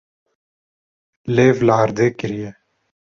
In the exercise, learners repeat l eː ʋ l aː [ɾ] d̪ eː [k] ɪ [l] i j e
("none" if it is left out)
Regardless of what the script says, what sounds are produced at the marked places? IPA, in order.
ɾ, k, ɾ

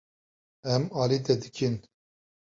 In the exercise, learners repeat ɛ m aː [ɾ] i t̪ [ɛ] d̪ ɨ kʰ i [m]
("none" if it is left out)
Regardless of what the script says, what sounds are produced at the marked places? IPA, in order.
l, ɛ, n

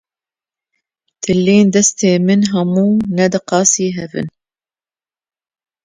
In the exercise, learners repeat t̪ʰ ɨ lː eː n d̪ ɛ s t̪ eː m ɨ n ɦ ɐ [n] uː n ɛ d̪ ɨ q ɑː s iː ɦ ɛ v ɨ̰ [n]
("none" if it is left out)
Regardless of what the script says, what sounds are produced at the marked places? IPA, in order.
m, n

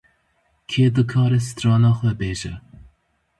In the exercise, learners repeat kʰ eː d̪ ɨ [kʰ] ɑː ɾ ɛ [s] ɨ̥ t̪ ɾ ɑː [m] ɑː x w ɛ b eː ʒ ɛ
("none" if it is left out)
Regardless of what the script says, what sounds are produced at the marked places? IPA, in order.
kʰ, s, n

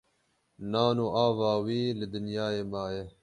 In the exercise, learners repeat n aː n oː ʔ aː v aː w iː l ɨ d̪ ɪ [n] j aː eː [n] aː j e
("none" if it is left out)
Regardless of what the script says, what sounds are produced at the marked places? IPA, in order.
n, m

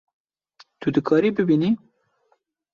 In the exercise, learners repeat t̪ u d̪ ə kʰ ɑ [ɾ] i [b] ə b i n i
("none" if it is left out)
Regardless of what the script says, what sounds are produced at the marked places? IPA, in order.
ɾ, b

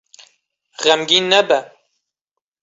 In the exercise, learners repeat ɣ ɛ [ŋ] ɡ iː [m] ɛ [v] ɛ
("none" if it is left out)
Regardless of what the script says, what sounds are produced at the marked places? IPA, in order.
m, n, b

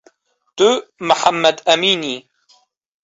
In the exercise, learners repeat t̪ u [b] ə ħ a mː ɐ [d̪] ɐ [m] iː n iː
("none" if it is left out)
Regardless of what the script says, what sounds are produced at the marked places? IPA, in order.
m, d̪, m

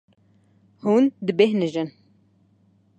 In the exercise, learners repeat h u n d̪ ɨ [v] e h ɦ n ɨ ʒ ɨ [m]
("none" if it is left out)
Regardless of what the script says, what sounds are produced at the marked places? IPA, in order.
b, n

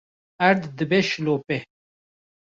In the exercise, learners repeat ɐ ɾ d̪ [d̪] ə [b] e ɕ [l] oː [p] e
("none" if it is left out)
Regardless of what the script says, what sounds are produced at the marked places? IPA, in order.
d̪, b, l, p

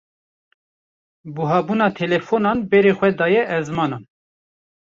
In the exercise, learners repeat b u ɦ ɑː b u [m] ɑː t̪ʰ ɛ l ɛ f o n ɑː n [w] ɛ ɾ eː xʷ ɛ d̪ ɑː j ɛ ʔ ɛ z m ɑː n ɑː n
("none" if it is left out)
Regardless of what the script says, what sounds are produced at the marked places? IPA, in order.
n, b

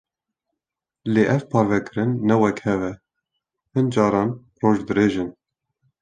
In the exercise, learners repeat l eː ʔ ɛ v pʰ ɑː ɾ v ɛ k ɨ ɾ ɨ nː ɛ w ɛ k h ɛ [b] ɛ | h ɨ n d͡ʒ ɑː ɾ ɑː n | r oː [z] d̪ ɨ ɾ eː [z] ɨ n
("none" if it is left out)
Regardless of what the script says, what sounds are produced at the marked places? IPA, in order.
v, ʒ, ʒ

